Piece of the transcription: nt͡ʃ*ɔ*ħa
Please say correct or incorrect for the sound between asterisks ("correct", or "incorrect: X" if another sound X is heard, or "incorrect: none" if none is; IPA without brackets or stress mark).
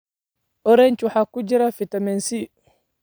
incorrect: u